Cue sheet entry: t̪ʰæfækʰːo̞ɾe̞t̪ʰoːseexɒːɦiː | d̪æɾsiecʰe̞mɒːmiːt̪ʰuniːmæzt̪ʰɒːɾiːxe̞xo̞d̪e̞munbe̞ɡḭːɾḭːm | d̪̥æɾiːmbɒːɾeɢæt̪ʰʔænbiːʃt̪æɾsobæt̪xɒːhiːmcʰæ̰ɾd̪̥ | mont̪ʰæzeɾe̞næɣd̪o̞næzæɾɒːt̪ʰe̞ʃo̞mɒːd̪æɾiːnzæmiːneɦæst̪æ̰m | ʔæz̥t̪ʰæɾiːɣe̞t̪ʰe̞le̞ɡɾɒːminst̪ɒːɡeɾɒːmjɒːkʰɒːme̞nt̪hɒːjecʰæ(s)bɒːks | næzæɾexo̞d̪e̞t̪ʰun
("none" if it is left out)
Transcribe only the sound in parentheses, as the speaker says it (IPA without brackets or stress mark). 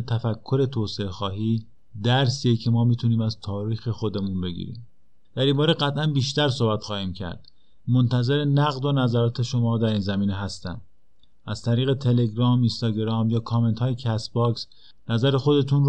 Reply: s